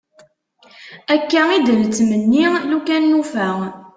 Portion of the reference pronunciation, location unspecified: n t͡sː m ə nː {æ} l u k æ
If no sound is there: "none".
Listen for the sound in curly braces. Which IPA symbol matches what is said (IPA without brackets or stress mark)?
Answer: i